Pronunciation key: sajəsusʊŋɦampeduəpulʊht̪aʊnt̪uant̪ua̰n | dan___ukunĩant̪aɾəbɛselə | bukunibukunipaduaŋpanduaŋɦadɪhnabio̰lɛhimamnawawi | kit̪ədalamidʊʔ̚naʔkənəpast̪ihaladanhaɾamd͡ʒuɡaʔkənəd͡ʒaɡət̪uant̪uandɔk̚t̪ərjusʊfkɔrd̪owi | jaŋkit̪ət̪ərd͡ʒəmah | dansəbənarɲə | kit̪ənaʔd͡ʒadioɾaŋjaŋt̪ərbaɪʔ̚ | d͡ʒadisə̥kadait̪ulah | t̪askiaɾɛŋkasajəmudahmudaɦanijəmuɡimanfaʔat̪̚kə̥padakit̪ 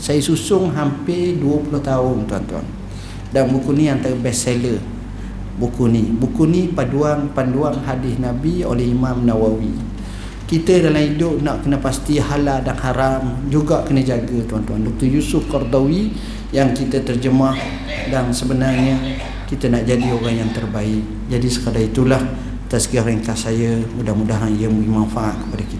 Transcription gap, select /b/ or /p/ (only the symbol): b